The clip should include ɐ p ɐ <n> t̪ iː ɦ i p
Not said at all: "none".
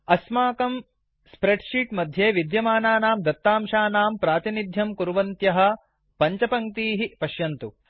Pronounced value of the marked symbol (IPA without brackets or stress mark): ŋ